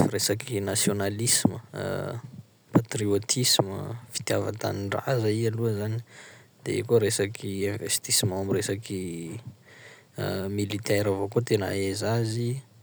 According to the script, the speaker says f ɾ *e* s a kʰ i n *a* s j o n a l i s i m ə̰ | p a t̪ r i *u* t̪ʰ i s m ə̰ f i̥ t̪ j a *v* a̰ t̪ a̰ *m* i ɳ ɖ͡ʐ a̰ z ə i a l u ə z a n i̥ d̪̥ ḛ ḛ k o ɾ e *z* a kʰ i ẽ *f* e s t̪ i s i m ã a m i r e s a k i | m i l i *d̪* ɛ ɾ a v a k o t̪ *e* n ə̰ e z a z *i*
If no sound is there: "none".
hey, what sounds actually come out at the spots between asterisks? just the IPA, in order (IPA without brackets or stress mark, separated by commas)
e, a, o, v, n, s, v, t̪, e, i